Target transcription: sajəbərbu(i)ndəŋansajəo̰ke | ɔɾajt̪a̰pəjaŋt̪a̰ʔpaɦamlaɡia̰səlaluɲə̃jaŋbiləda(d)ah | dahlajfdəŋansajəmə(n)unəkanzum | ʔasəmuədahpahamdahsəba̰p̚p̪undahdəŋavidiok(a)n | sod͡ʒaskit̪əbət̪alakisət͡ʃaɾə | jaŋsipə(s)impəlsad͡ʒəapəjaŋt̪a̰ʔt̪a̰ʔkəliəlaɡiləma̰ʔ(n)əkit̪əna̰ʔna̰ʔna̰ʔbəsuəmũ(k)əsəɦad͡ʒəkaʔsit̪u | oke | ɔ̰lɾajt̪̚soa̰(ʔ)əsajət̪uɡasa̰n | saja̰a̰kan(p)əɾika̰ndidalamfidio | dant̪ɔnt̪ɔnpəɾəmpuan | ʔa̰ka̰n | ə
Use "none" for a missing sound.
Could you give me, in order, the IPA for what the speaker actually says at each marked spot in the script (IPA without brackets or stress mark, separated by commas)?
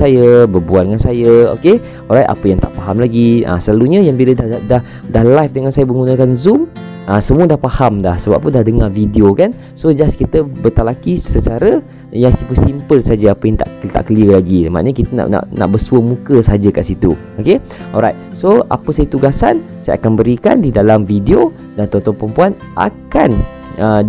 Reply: a, d, ŋ, a, s, ɲ, k, p, b